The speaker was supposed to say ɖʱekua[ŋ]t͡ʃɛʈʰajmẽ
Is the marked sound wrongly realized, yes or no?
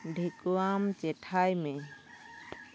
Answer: yes